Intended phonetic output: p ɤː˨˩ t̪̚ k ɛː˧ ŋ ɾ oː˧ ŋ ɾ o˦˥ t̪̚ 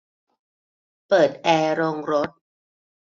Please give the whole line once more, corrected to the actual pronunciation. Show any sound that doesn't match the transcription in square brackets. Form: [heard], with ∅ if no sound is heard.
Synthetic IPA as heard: p ɤː˨˩ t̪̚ [ʔ] ɛː˧ [∅] ɾ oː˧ ŋ ɾ o˦˥ t̪̚